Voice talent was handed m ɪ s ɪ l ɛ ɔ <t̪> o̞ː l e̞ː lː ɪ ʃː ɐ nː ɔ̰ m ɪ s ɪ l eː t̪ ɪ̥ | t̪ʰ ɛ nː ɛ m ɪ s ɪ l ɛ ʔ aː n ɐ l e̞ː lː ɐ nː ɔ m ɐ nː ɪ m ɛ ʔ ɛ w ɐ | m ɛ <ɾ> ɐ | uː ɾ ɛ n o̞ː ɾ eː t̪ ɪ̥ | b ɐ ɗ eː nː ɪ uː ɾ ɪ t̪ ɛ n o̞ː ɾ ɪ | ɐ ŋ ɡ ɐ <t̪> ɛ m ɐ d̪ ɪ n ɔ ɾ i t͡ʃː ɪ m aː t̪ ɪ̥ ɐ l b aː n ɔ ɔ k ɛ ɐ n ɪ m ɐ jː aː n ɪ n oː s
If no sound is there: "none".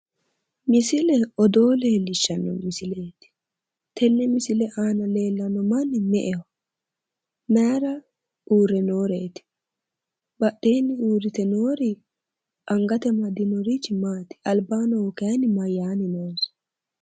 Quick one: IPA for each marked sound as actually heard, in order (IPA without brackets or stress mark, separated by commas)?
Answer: d̪, ɾ, t̪